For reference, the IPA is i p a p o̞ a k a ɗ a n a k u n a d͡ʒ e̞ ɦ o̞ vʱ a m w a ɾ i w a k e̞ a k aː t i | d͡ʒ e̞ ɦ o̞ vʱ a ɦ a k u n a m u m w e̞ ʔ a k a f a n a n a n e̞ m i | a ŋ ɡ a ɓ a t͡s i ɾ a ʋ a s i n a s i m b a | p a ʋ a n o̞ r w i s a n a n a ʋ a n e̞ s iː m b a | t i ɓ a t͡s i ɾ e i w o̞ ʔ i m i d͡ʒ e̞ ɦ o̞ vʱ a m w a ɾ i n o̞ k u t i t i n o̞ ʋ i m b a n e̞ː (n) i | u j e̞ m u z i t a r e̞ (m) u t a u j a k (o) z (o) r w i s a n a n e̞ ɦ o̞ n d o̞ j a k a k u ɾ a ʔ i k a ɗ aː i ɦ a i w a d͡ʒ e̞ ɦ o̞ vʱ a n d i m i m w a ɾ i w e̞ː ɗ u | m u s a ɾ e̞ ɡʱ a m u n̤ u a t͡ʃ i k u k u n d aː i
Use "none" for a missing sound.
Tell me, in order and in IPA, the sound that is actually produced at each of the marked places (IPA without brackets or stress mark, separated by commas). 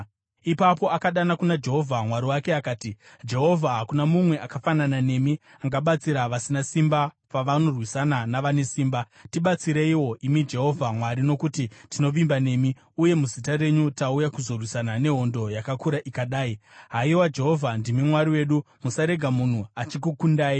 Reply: m, ɲ, u, o